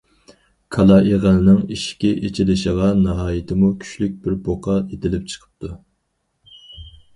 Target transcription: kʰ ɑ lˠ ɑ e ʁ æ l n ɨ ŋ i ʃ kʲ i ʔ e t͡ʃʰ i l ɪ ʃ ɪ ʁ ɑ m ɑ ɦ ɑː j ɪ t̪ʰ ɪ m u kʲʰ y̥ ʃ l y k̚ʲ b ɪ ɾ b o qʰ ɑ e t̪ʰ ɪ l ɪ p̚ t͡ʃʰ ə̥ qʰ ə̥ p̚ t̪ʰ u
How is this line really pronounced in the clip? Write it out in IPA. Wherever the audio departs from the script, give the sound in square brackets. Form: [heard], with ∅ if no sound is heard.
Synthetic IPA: kʰ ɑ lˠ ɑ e ʁ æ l n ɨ ŋ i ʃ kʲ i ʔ e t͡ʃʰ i l ɪ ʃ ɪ ʁ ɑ [n] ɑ ɦ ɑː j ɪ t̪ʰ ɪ m u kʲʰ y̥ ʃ l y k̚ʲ b ɪ ɾ b o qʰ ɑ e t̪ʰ ɪ l ɪ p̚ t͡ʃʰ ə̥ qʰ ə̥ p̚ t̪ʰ u